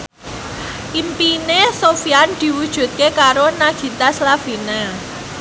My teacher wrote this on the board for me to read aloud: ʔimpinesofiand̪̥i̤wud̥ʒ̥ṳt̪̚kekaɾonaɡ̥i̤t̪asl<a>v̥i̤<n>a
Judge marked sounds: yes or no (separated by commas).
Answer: yes, yes